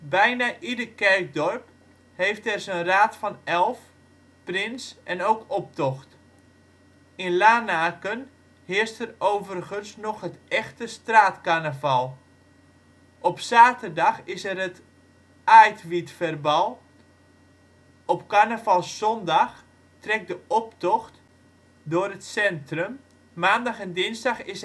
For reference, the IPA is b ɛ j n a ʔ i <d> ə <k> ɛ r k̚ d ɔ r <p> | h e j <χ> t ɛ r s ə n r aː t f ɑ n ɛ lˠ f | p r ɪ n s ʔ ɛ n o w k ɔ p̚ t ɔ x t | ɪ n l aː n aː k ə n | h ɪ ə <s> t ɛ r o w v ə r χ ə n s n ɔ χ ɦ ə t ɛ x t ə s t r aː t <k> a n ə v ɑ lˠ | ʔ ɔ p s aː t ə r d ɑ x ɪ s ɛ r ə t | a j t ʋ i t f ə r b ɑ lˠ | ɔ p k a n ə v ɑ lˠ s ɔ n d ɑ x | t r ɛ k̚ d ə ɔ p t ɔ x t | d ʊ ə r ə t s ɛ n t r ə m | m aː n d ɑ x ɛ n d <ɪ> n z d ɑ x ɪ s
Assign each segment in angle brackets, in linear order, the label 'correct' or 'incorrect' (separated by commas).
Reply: correct, correct, correct, incorrect, correct, correct, correct